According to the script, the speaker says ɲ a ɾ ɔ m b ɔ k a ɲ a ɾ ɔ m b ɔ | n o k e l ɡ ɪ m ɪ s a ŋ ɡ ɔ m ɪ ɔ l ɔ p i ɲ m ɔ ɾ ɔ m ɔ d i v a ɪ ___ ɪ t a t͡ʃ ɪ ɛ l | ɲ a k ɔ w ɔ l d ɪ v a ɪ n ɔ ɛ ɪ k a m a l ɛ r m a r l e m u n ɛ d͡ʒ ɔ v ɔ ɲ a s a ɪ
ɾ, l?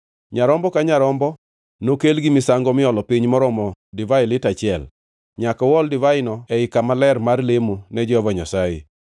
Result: l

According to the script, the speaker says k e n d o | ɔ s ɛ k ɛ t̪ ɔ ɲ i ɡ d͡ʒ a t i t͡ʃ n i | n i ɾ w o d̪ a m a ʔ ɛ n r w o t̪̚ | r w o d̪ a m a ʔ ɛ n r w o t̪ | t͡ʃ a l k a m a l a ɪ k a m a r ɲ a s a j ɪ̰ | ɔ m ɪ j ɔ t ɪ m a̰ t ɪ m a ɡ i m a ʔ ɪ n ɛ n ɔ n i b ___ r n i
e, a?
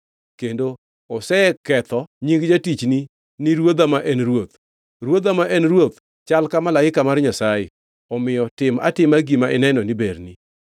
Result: e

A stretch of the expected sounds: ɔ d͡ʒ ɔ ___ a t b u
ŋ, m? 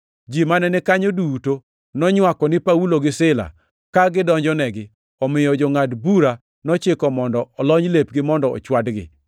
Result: ŋ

